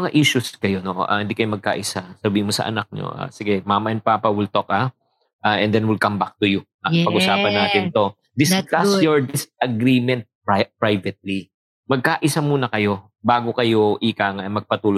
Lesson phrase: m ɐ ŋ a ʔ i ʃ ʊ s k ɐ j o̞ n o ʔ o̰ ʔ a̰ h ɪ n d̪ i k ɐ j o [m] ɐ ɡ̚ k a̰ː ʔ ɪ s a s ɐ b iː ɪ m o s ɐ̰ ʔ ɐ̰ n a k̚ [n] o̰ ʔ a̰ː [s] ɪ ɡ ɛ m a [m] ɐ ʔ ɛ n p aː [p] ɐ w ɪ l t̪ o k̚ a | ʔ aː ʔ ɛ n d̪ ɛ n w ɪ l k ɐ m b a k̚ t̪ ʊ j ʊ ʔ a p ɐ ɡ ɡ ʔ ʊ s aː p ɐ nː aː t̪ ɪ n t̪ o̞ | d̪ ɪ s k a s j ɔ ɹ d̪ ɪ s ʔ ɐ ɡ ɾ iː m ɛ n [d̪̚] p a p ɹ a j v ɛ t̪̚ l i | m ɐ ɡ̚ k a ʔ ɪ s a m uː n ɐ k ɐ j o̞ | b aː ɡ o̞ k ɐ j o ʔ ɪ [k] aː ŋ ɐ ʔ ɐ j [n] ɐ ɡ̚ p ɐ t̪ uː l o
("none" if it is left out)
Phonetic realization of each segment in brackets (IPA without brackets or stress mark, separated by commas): m, ɲ, s, m, p, t̪̚, k, m